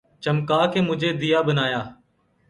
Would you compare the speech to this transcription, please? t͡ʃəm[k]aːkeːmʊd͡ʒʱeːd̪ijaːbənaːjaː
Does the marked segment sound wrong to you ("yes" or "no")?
no